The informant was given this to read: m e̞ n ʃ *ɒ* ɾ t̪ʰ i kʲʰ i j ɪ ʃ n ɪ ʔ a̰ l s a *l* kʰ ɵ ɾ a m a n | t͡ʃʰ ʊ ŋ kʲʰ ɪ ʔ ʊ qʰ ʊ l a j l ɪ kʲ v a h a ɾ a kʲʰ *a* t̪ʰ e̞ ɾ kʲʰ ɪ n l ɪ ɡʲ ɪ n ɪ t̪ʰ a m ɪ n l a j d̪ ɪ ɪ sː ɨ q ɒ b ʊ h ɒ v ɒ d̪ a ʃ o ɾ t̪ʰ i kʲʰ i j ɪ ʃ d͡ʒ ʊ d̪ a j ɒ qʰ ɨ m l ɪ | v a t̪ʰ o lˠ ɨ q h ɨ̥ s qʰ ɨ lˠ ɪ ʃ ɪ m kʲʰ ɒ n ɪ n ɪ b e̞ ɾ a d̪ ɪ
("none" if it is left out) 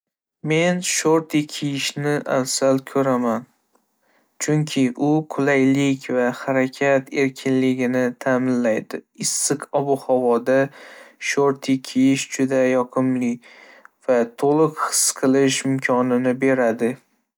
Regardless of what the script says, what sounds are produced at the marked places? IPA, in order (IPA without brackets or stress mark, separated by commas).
o, l, a